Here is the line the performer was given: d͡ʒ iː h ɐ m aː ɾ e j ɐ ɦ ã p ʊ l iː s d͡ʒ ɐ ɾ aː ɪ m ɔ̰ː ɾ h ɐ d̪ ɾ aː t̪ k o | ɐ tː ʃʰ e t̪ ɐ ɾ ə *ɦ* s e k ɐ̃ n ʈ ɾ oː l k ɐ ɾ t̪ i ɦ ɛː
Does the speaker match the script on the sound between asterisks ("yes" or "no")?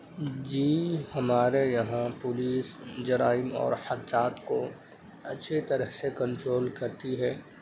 yes